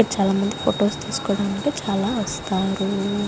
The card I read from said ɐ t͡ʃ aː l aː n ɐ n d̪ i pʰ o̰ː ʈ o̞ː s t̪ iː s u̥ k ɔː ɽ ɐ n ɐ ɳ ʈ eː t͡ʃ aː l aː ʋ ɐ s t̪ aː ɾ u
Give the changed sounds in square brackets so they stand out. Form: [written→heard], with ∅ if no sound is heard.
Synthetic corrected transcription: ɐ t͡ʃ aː l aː [n→m] ɐ n d̪ i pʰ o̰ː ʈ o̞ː s t̪ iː s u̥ k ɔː ɽ ɐ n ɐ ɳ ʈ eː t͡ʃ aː l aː ʋ ɐ s t̪ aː ɾ u

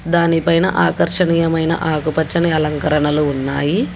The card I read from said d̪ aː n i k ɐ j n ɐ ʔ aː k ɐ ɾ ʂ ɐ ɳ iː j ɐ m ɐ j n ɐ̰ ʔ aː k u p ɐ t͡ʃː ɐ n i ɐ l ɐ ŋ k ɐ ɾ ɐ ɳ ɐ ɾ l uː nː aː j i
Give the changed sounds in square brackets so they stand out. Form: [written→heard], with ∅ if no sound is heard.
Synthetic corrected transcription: d̪ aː n i [k→p] ɐ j n ɐ ʔ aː k ɐ ɾ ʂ ɐ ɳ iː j ɐ m ɐ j n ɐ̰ ʔ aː k u p ɐ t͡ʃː ɐ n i ɐ l ɐ ŋ k ɐ ɾ ɐ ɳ ɐ [ɾ→∅] l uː nː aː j i

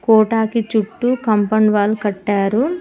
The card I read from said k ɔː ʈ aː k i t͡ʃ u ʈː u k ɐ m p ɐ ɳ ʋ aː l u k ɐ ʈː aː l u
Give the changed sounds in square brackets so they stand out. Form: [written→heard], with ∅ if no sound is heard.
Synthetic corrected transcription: k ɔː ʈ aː k i t͡ʃ u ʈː u k ɐ m p ɐ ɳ ʋ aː l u k ɐ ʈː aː [l→ɾ] u

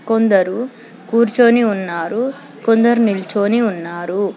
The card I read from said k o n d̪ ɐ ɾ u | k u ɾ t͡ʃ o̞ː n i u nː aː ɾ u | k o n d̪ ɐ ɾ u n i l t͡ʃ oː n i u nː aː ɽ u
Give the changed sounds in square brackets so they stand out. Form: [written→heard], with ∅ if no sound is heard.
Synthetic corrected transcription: k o n d̪ ɐ ɾ u | k [u→uː] ɾ t͡ʃ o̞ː n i u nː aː ɾ u | k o n d̪ ɐ ɾ u n i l t͡ʃ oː n i u nː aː [ɽ→ɾ] u

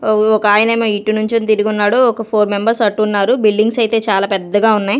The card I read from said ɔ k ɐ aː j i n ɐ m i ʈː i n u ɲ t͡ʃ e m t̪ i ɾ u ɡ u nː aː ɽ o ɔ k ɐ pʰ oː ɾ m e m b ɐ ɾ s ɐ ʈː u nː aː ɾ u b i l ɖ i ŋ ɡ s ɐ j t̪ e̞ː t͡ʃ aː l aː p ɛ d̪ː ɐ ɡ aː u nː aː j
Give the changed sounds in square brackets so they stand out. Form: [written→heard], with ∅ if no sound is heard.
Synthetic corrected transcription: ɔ k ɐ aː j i n ɐ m i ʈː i n u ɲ t͡ʃ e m t̪ i ɾ u ɡ u nː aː ɽ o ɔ k ɐ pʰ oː ɾ m e m b ɐ ɾ s ɐ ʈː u nː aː ɾ u b i l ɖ i ŋ ɡ s ɐ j t̪ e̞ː t͡ʃ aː l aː p ɛ d̪ː ɐ ɡ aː u nː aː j

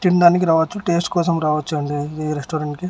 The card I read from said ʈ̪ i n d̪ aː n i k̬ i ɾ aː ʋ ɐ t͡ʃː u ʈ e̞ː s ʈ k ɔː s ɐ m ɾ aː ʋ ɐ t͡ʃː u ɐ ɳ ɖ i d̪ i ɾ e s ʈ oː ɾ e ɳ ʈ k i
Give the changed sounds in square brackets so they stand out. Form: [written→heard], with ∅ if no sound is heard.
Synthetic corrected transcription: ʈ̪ i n d̪ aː n i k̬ i ɾ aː ʋ ɐ t͡ʃː u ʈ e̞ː s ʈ k ɔː s ɐ m ɾ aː ʋ ɐ t͡ʃː u ɐ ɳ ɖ i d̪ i ɾ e s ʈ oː ɾ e ɳ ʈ k i

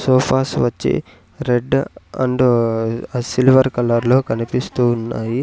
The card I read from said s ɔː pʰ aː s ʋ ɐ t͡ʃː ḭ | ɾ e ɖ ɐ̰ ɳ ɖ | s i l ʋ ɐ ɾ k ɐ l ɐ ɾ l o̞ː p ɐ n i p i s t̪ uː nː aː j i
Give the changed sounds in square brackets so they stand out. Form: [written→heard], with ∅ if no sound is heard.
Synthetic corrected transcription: s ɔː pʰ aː s ʋ ɐ t͡ʃː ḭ | ɾ e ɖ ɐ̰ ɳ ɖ | s i l ʋ ɐ ɾ k ɐ l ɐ ɾ l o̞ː [p→k] ɐ n i p i s t̪ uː nː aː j i

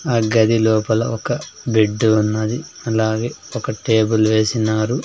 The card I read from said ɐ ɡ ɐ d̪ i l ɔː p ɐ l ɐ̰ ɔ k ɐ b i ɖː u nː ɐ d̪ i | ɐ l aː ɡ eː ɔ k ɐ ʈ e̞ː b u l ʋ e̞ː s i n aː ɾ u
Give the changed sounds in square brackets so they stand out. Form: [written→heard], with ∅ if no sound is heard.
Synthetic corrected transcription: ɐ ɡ ɐ d̪ i l ɔː p ɐ l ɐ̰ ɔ k ɐ b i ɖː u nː ɐ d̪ i | ɐ l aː ɡ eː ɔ k ɐ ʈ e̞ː b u l ʋ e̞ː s i n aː ɾ u

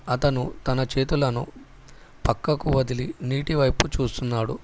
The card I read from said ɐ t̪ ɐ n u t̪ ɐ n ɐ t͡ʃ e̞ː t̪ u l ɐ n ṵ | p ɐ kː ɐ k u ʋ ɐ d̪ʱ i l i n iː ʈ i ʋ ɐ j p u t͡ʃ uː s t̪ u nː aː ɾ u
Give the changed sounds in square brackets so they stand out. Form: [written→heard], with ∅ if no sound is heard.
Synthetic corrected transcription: ɐ t̪ ɐ n u t̪ ɐ n ɐ t͡ʃ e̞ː t̪ u l ɐ n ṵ | p ɐ kː ɐ k u ʋ ɐ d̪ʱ i l i n iː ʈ i ʋ ɐ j p u t͡ʃ uː s t̪ u nː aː [ɾ→ɽ] u

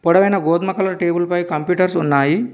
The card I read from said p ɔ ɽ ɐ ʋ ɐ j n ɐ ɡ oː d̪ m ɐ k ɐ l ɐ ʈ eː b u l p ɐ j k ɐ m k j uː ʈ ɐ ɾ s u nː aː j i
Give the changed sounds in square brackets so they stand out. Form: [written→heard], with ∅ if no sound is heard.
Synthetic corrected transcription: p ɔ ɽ ɐ ʋ ɐ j n ɐ ɡ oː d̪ m ɐ k ɐ l ɐ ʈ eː b u l p ɐ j k ɐ m [k→p] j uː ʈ ɐ ɾ s u nː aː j i

